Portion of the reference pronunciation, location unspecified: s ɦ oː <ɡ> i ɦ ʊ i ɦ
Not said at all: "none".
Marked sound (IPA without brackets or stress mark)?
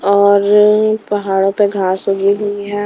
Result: ɡ